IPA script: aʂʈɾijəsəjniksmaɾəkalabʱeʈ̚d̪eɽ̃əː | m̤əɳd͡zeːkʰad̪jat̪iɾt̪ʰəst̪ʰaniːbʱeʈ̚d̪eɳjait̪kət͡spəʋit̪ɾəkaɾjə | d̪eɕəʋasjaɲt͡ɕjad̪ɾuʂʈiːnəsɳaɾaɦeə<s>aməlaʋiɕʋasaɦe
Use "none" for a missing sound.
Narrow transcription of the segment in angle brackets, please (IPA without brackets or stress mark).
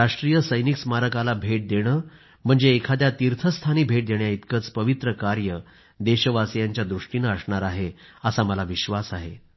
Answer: s